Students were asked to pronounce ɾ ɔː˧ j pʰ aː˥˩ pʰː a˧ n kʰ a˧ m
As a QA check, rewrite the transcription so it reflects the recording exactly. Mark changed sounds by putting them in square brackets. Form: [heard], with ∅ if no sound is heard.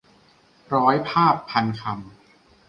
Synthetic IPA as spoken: ɾ [ɔː˦˥] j pʰ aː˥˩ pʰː a˧ n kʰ a˧ m